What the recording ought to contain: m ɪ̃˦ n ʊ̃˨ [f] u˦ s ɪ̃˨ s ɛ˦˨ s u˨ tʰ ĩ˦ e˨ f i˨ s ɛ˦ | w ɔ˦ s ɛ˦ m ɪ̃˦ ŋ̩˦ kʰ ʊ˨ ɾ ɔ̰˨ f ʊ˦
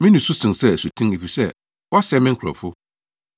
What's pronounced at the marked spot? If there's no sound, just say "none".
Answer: s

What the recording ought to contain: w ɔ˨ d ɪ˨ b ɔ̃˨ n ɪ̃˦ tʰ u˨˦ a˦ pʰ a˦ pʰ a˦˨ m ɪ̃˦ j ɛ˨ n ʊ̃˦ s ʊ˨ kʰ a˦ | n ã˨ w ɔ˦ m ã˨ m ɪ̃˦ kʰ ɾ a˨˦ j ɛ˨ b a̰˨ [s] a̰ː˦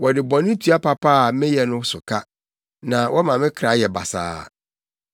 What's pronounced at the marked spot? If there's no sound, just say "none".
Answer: s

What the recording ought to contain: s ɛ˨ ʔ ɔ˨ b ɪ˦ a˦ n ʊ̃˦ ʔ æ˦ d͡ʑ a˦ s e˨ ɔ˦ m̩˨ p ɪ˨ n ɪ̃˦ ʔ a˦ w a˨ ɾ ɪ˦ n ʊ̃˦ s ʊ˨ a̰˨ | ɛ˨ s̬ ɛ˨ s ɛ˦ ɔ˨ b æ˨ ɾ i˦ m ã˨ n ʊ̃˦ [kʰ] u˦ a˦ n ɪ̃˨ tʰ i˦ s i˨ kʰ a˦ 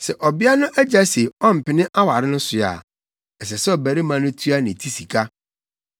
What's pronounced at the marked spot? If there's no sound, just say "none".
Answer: tʰ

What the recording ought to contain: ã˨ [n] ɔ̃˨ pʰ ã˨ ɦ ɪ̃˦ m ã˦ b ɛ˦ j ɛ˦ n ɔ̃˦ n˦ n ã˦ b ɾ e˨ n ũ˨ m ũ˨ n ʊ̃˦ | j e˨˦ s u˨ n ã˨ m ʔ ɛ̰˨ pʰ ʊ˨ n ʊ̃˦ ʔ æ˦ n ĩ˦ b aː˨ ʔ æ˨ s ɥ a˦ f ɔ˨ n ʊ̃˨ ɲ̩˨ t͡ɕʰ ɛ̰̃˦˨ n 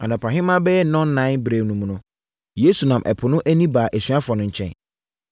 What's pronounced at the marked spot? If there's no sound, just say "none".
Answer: n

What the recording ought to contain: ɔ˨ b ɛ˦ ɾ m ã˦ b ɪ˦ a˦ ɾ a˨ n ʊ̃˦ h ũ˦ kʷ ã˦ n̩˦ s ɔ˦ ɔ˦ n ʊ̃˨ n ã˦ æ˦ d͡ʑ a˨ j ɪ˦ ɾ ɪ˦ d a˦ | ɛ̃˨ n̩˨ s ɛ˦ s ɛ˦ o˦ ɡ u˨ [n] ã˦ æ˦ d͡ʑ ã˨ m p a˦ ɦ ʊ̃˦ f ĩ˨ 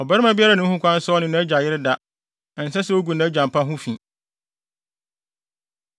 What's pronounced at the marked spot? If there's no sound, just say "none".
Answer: n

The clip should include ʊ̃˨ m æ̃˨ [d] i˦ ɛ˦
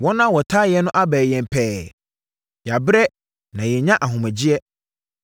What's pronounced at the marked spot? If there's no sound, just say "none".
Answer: d͡ʑ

